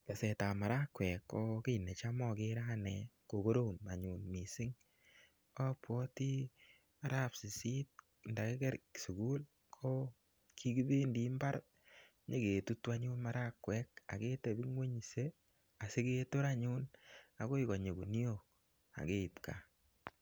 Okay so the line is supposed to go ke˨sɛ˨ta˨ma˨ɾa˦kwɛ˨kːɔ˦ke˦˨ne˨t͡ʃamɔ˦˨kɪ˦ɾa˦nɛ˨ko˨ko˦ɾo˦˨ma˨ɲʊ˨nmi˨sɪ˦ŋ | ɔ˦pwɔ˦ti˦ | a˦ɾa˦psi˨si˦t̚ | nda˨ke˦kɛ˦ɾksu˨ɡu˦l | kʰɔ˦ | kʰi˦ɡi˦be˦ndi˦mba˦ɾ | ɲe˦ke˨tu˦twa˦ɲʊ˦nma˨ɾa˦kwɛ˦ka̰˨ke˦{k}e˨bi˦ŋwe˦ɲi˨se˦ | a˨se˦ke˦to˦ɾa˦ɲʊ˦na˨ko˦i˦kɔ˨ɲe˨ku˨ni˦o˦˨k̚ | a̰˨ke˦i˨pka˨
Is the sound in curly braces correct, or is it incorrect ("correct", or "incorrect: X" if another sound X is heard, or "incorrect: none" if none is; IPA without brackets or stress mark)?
incorrect: t